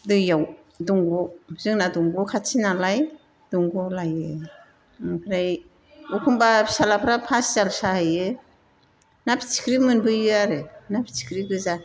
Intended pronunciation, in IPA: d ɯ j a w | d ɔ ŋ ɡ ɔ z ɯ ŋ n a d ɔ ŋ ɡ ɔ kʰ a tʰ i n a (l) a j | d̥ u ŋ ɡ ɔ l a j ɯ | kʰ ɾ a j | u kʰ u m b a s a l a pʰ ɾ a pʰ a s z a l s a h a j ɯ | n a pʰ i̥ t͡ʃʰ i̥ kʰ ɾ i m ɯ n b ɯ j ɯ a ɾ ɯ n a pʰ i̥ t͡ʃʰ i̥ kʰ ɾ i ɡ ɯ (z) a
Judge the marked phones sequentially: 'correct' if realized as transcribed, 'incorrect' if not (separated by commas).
correct, correct